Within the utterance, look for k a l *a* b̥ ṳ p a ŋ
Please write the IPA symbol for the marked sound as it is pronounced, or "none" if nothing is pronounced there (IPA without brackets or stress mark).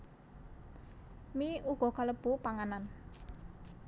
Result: ə